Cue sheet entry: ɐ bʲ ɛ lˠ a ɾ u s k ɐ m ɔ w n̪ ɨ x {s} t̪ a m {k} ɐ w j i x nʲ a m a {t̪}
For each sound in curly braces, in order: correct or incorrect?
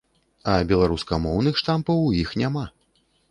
incorrect, incorrect, incorrect

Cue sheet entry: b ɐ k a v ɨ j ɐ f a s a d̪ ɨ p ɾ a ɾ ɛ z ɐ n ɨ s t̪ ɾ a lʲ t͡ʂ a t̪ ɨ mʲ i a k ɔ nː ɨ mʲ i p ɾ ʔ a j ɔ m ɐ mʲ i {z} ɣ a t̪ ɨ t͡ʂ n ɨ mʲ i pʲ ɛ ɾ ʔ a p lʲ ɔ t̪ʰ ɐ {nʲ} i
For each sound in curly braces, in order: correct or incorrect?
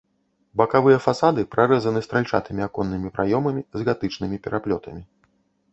correct, incorrect

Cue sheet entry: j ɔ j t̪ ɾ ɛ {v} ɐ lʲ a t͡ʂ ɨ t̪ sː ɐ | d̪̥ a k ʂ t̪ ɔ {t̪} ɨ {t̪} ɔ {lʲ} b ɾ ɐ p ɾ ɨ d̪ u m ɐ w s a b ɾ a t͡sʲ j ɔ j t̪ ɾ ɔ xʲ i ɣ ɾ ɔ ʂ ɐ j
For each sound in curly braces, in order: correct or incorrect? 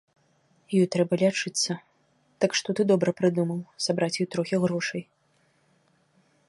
incorrect, correct, incorrect, incorrect

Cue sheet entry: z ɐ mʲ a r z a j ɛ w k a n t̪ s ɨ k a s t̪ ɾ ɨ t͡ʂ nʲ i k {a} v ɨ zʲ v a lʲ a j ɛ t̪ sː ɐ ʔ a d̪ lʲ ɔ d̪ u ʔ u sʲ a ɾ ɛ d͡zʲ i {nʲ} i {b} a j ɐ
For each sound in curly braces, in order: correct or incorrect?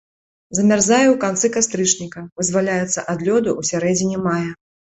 incorrect, correct, incorrect

